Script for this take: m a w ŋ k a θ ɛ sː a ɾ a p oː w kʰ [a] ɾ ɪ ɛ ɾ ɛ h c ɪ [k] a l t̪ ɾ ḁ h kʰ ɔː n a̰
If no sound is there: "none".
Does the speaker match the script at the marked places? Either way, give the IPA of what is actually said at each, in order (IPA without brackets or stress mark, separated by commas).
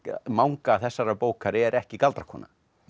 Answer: a, k